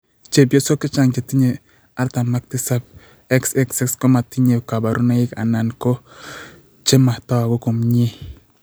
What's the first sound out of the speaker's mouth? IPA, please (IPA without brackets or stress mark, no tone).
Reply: t͡ʃ